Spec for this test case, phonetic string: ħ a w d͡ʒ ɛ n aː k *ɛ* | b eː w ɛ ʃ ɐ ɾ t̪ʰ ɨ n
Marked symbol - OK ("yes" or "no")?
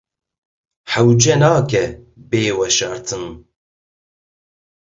yes